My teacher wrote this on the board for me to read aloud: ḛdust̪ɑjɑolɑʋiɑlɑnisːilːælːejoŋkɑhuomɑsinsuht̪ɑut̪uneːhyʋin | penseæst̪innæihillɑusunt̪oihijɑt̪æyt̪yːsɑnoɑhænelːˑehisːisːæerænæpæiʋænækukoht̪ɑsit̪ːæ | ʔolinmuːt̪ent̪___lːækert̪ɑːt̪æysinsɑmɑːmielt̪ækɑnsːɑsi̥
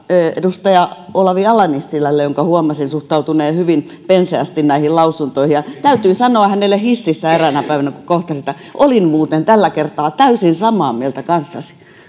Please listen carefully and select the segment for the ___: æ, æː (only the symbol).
æ